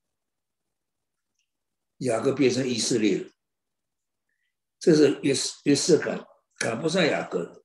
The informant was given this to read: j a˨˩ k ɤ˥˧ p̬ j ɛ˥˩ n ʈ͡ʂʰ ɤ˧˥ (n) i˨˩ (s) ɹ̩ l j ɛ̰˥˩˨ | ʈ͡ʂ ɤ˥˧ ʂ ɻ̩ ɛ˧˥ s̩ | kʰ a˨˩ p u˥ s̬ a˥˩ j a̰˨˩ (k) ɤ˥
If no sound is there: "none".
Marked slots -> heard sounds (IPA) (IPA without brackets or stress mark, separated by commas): ŋ, s, k